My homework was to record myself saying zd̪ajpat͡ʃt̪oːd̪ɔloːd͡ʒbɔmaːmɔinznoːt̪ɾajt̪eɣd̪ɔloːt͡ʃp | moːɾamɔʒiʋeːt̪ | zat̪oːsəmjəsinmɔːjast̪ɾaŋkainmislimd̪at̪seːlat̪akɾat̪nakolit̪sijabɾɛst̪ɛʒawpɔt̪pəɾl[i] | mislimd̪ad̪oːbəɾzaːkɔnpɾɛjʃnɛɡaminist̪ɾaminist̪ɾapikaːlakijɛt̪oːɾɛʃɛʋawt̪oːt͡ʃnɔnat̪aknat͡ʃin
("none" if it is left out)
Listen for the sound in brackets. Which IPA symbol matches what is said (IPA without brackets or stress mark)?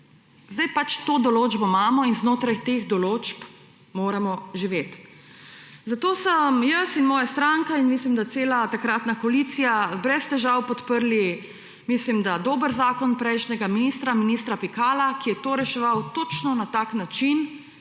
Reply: i